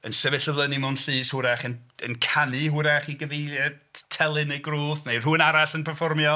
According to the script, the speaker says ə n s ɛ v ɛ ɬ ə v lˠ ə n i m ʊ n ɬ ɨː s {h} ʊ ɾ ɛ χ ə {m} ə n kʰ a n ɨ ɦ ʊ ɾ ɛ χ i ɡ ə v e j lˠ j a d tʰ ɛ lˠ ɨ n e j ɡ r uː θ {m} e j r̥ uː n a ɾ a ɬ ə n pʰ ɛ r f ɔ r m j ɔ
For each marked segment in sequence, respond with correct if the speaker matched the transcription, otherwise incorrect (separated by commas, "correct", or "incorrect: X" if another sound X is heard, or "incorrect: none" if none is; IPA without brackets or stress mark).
correct, incorrect: n, incorrect: n